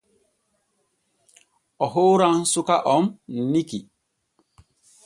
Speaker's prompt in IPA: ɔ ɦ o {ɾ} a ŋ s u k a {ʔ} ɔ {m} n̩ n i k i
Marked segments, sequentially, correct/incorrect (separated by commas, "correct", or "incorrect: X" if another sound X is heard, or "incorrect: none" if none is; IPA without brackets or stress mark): correct, correct, correct